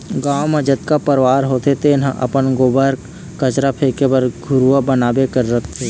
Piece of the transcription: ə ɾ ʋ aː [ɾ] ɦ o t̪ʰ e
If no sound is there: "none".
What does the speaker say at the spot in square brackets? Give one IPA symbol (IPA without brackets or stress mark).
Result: ɾ